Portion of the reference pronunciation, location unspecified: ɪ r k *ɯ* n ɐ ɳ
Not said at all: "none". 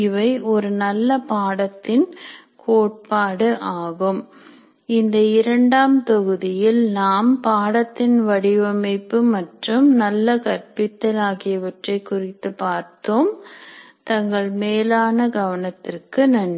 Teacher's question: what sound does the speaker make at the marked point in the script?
ɯ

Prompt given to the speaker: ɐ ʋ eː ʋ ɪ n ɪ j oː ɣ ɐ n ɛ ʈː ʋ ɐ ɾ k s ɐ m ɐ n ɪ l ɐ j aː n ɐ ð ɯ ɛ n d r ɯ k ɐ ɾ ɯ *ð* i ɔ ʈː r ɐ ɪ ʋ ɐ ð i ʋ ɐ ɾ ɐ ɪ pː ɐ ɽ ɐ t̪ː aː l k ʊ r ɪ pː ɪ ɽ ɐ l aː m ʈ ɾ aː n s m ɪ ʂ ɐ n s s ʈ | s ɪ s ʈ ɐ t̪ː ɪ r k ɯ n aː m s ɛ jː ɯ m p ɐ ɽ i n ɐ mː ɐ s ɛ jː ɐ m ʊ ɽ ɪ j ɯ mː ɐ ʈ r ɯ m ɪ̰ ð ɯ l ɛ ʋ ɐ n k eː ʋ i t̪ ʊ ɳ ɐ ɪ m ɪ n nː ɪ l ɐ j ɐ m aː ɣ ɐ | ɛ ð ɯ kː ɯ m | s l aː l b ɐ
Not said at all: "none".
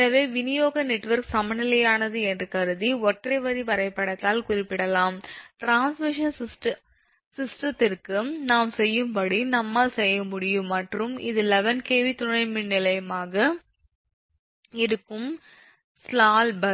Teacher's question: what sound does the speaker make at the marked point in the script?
ð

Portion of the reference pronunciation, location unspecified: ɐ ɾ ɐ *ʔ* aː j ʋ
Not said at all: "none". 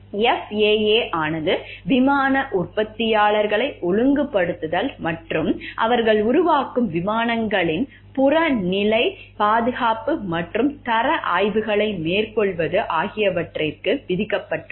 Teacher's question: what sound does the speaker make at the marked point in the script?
ʔ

